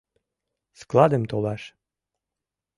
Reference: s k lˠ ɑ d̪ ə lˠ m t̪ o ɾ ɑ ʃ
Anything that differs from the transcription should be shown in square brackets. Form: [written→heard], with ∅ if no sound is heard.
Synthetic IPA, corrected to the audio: s k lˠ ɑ d̪ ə [lˠ→∅] m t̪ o [ɾ→l] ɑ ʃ